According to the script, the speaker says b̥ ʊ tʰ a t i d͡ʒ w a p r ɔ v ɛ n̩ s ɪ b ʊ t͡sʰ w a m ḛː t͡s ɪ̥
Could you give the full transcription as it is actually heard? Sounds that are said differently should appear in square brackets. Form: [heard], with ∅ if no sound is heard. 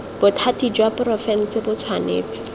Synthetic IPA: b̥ ʊ tʰ a t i d͡ʒ w a p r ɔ [f] ɛ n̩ s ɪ b ʊ t͡sʰ w a [n] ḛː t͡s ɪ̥